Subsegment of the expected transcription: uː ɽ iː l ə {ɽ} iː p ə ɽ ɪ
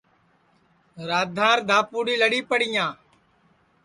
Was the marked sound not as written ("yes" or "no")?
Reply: no